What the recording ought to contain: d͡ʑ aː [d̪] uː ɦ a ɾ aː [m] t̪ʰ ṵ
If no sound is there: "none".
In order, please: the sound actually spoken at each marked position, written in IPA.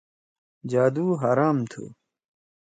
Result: d̪, m

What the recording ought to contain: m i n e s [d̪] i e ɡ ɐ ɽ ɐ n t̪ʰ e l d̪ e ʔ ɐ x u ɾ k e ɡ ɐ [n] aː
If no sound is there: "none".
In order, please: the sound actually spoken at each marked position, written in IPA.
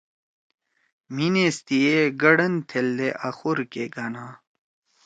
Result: t̪, n

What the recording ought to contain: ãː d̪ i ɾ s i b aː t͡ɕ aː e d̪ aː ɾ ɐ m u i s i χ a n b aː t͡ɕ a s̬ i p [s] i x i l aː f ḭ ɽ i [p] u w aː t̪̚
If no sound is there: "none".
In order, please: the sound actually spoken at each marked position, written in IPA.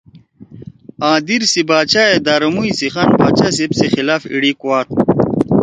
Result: s, k

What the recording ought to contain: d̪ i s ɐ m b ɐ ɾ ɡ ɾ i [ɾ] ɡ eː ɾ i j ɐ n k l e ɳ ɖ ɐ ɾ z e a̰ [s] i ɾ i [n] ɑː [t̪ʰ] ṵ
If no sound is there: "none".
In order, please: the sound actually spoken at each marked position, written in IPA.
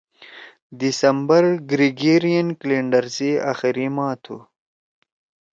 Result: none, x, m, t̪ʰ

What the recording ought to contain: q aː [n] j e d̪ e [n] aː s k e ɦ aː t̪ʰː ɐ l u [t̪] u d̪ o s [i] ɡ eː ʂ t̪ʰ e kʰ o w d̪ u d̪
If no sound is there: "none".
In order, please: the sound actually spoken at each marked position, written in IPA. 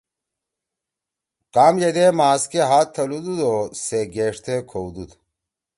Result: m, m, d̪, e

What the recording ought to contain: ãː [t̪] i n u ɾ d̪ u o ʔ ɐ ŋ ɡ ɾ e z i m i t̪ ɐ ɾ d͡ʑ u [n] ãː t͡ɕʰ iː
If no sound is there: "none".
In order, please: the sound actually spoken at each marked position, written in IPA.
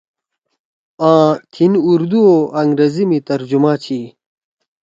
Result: t̪ʰ, m

